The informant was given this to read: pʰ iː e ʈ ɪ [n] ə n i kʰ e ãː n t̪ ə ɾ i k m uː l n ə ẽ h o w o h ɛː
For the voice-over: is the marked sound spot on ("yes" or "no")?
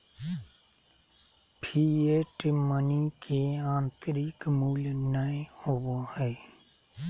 no